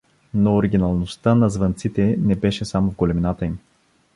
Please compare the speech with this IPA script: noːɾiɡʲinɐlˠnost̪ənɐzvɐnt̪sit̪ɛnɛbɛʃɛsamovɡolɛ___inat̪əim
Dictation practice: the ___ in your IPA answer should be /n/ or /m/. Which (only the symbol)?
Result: m